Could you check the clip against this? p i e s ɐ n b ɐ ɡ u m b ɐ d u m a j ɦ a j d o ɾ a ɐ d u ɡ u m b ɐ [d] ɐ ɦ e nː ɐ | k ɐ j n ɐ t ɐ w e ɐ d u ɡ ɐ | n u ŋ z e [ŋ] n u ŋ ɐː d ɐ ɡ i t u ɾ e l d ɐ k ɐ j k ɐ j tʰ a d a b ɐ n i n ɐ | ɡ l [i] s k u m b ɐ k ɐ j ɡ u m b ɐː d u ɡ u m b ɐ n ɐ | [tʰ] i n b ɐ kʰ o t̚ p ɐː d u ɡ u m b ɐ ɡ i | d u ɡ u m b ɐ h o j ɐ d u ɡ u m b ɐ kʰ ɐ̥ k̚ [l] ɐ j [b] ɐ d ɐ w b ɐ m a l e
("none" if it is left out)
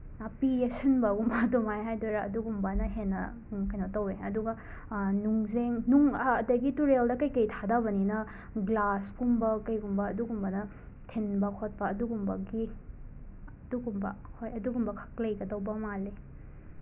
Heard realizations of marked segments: n, ŋ, a, tʰ, l, ɡ

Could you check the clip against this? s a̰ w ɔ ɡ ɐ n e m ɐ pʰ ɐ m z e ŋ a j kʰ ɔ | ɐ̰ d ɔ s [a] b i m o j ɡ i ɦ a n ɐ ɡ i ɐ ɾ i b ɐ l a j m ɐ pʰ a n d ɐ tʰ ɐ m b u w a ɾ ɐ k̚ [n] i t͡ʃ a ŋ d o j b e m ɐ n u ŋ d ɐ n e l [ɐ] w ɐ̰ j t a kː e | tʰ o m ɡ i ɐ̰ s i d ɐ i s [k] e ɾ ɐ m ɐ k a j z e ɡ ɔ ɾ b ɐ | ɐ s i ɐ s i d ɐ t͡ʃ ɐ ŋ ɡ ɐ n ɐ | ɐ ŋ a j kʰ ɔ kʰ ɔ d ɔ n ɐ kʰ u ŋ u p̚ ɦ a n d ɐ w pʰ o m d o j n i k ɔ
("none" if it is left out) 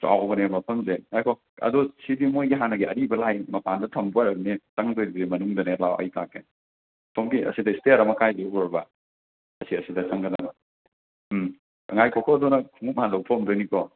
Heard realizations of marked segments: i, n, a, t

